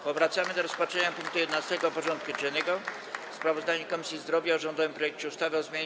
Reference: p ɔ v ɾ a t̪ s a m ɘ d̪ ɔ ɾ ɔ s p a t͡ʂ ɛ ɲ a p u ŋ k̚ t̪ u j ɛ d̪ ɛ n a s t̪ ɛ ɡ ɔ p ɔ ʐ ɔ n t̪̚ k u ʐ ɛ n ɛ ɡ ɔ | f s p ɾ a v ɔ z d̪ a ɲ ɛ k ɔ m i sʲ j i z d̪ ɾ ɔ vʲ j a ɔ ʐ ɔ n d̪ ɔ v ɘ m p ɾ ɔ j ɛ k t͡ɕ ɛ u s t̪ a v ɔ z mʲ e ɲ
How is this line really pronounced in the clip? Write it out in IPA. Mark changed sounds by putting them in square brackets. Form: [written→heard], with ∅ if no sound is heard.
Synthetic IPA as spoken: p ɔ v ɾ a t̪ s a m ɘ d̪ ɔ ɾ ɔ s p a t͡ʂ ɛ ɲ a p u ŋ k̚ t̪ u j ɛ d̪ ɛ n a s t̪ ɛ ɡ ɔ p ɔ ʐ ɔ n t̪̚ k u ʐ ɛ n ɛ ɡ ɔ | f s p ɾ a v ɔ z d̪ a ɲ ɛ k ɔ m i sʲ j i z d̪ ɾ ɔ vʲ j a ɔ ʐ ɔ n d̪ ɔ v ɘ m p ɾ ɔ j ɛ k t͡ɕ ɛ u s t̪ a v ɔ z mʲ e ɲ